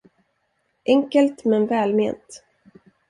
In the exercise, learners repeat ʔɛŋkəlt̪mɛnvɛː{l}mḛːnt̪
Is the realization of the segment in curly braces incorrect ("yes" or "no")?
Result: no